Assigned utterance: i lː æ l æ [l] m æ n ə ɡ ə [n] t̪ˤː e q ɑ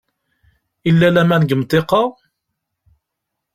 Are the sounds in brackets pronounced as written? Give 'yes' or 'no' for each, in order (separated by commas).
no, no